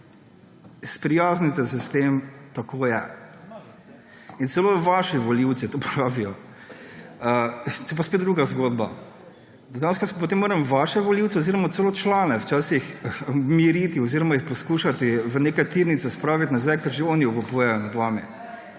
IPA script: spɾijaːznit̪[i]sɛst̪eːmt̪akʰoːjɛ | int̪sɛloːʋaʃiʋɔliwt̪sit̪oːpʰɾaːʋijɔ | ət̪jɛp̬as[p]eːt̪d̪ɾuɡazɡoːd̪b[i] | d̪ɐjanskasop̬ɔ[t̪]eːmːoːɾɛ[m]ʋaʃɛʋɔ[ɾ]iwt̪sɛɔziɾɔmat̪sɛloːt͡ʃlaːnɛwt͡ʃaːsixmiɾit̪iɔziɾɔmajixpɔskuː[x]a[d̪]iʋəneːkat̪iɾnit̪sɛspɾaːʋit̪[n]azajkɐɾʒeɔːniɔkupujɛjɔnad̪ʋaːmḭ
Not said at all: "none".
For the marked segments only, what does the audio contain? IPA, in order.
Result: ɛ, p, a, t̪, m, l, ʃ, t̪, n

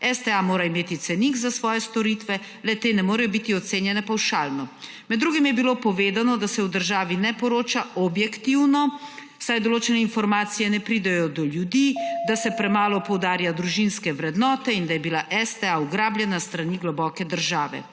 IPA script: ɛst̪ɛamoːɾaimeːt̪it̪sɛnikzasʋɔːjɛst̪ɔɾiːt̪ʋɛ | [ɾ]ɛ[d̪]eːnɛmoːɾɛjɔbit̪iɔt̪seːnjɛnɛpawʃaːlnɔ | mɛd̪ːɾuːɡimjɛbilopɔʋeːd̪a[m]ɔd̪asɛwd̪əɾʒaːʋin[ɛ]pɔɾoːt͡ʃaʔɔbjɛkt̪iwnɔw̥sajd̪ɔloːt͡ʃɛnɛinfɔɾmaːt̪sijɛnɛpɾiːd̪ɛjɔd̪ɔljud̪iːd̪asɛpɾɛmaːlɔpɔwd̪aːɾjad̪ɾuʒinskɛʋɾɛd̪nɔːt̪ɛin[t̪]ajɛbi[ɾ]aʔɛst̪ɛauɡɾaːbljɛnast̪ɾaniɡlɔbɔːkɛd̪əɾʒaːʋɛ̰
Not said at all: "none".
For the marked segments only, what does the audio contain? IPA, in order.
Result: l, t̪, n, ɛ, d̪, l

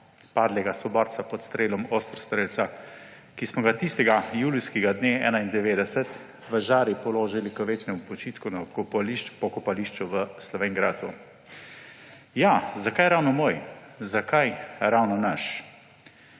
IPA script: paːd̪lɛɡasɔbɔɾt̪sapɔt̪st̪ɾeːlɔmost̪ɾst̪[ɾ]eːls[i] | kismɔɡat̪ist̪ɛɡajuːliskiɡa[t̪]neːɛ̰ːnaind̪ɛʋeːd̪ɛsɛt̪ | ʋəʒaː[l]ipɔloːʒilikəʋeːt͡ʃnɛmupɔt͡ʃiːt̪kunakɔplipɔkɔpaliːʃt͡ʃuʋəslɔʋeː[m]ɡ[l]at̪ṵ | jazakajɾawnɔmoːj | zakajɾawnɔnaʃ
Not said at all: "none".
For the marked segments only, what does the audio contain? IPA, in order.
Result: ɾ, a, d̪, ɾ, ŋ, ɾ

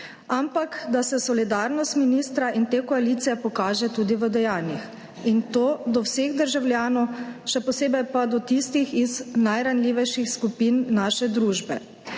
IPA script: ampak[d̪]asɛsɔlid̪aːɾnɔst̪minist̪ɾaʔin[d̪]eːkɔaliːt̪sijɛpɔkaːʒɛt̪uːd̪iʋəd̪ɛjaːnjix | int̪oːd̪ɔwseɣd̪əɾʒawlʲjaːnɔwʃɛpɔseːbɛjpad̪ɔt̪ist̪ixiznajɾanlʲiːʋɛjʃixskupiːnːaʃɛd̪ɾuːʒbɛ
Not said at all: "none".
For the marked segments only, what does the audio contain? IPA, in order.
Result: d̪, t̪

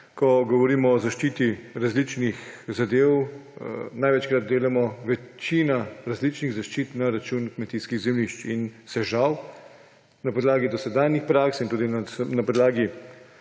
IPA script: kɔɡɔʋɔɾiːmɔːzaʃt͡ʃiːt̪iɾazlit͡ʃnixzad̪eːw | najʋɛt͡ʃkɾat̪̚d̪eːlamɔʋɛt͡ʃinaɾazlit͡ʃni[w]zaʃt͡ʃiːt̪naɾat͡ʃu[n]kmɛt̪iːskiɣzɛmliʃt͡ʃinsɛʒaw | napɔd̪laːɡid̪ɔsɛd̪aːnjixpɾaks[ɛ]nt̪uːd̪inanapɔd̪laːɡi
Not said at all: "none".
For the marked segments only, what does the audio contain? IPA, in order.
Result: ɣ, n, i

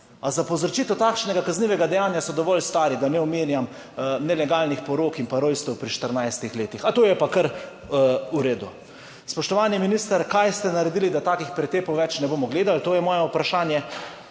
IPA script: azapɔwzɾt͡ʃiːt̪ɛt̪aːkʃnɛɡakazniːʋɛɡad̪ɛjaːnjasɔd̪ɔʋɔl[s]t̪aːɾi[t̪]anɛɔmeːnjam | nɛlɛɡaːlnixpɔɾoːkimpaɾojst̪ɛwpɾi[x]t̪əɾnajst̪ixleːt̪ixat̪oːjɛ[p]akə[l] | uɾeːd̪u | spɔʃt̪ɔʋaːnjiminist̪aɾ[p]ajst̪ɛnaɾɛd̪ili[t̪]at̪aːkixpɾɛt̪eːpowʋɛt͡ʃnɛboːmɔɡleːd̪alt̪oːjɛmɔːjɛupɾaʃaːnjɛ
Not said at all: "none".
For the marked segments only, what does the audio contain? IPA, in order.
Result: s, d̪, ʃ, p, ɾ, k, d̪

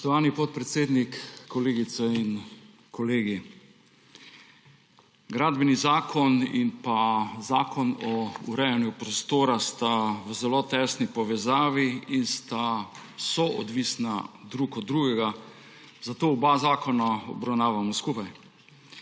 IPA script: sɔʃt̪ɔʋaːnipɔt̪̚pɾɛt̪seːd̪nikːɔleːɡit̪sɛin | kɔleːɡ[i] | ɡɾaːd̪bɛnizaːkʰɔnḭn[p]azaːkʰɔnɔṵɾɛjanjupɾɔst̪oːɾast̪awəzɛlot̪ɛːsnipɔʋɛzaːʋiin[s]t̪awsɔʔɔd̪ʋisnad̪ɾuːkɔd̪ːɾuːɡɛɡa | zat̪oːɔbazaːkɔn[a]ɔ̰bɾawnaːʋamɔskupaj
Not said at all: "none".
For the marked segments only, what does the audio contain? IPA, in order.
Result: i, p, s, a

